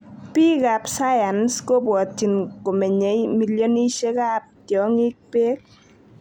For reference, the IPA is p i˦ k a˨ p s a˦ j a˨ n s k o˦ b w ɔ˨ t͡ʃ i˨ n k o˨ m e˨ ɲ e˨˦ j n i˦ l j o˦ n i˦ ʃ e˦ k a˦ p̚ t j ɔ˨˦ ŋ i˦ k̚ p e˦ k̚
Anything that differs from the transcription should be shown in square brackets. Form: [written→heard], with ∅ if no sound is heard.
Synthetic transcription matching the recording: p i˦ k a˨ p s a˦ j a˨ n s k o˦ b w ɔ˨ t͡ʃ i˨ n k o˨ m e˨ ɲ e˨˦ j [n→m] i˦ l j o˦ n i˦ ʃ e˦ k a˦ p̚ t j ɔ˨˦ ŋ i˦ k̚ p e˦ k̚